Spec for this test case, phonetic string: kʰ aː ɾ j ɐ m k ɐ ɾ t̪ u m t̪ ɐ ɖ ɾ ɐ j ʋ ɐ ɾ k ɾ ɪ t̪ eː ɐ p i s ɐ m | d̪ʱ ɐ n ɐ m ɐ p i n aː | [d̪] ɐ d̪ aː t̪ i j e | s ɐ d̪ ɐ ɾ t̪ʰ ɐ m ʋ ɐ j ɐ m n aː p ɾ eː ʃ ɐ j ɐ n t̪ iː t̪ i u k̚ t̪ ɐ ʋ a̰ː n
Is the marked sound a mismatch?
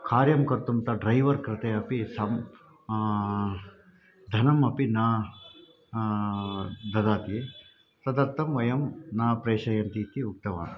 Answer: no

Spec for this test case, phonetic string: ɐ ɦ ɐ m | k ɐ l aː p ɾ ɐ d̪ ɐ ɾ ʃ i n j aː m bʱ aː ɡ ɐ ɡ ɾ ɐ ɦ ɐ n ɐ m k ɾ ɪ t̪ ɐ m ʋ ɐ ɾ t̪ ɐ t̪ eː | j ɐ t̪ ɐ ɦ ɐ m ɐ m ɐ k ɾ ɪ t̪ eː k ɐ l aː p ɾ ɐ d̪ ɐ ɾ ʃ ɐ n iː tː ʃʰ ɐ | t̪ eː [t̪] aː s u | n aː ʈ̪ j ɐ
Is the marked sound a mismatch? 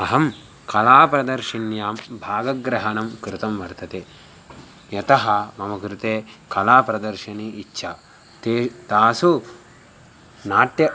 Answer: no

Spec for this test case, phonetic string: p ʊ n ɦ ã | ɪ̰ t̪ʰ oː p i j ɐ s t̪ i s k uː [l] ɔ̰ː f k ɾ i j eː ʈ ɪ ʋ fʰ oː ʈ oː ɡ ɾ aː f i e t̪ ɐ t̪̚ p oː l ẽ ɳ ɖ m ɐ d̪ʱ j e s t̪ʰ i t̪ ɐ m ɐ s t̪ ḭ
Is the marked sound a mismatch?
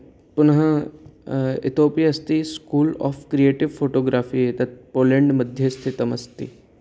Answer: no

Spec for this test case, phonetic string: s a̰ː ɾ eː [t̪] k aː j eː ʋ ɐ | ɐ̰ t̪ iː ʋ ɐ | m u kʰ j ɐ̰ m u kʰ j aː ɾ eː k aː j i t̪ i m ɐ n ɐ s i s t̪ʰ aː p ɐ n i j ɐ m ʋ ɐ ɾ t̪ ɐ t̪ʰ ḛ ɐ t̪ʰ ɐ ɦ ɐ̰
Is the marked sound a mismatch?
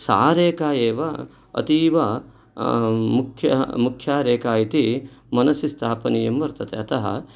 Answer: yes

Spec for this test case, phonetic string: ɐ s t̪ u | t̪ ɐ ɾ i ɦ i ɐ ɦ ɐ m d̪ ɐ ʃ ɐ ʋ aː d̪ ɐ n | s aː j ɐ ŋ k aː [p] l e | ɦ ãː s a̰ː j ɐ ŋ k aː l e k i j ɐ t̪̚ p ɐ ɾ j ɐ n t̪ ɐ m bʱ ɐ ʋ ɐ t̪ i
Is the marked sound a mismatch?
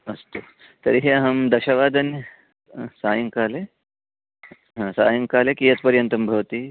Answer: yes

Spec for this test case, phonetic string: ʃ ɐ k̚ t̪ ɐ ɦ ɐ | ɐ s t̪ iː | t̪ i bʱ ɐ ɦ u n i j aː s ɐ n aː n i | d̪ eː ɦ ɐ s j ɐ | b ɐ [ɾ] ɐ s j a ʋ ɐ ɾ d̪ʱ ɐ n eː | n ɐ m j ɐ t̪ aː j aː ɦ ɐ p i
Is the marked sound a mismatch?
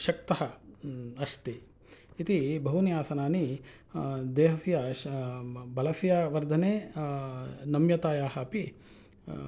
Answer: yes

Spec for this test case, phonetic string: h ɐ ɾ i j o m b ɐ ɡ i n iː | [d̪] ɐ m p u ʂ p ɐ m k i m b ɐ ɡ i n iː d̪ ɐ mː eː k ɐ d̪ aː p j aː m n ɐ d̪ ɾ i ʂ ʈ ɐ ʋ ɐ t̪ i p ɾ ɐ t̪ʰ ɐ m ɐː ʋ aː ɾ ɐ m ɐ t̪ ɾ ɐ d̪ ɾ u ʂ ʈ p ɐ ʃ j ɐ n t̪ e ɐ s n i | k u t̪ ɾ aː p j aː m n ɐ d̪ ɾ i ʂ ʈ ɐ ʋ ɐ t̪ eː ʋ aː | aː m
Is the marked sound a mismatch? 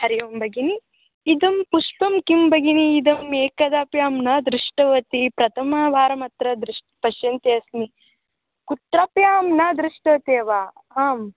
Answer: no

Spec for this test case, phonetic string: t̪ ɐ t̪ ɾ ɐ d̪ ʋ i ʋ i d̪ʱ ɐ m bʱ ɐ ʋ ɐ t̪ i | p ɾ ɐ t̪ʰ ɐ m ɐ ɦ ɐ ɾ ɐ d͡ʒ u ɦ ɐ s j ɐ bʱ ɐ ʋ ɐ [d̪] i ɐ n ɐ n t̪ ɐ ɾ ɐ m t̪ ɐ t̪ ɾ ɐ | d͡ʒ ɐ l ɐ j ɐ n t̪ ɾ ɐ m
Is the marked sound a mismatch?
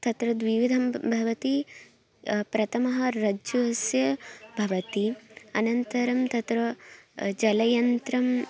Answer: yes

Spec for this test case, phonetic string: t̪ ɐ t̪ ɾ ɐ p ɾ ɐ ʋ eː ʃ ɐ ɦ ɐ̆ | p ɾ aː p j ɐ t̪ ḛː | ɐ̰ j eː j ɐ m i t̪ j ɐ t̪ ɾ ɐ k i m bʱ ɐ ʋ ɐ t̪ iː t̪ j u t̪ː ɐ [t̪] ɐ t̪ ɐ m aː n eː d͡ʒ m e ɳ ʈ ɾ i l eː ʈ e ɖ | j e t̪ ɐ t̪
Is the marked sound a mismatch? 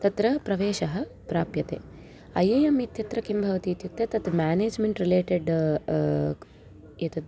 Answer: no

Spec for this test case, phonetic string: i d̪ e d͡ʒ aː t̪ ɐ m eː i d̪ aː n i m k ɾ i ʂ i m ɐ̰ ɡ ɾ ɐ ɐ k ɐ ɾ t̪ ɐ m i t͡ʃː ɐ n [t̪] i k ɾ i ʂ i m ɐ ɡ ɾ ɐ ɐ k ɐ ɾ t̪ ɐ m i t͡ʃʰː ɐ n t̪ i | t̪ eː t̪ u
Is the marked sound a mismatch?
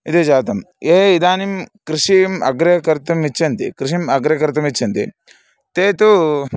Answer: no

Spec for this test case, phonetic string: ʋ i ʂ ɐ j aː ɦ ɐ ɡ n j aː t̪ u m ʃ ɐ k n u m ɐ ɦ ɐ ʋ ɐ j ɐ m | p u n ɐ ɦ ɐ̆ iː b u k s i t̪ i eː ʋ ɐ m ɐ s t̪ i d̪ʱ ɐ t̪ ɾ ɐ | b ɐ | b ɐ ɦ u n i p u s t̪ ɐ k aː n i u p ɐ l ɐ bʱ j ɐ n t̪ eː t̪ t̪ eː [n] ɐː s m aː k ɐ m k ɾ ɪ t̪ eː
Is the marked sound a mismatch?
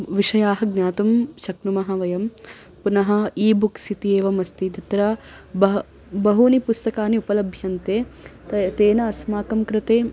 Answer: no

